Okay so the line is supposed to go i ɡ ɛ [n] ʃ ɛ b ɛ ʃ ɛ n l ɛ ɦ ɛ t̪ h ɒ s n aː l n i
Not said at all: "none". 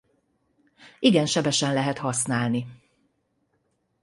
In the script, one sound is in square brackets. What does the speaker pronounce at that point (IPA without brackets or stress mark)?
n